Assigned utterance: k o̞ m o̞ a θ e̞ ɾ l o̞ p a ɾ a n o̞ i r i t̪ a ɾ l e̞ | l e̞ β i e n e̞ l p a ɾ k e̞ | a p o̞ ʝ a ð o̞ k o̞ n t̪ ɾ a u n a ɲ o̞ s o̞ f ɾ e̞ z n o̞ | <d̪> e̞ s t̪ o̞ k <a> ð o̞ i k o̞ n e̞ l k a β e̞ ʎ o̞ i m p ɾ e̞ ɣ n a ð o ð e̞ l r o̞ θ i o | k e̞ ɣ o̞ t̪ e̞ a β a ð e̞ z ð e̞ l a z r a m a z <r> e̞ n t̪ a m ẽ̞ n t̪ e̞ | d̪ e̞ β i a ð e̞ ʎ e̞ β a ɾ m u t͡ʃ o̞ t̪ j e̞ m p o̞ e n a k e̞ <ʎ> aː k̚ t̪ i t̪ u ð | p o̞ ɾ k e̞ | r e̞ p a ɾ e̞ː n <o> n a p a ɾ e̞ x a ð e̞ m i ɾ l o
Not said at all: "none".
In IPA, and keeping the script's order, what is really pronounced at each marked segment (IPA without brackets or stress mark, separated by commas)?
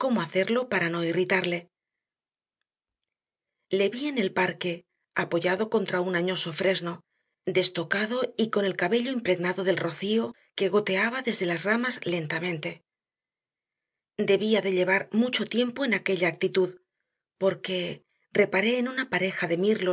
d̪, a, l, ʎ, u